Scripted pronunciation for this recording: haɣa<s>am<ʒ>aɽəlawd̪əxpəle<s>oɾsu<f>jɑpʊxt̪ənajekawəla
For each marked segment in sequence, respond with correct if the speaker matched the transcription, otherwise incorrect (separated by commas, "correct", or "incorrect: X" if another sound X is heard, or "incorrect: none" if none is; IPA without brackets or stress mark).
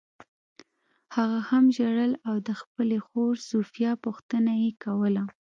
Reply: incorrect: h, correct, incorrect: x, correct